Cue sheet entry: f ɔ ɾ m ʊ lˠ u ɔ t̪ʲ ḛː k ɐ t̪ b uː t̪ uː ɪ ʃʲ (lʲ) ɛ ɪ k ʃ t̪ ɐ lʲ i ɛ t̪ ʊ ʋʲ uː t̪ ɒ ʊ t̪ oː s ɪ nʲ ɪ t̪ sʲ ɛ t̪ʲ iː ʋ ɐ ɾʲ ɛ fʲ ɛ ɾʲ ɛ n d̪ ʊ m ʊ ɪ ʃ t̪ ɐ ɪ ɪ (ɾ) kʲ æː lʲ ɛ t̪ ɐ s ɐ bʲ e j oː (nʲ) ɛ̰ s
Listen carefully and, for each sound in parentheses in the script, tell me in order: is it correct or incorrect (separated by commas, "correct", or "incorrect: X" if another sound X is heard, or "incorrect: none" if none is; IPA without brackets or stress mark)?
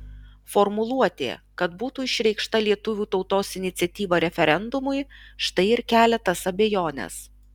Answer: incorrect: ɾʲ, correct, correct